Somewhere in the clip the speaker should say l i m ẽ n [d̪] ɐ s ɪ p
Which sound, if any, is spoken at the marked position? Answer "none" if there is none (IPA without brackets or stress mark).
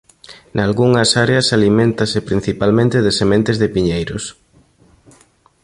t̪